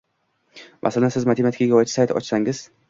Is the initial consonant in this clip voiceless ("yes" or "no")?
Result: no